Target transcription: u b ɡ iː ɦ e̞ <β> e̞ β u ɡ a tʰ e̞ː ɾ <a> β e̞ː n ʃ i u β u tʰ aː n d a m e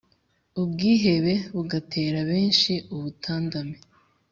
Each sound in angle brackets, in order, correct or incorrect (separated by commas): correct, correct